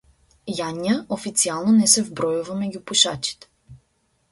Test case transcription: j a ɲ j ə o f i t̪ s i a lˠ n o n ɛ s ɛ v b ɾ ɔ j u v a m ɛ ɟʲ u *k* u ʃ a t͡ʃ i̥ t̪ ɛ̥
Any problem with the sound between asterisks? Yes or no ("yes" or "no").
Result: yes